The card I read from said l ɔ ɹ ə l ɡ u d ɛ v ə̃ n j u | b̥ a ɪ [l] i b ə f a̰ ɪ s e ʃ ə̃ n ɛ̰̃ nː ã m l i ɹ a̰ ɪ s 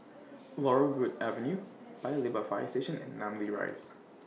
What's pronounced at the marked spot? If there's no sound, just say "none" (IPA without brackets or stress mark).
l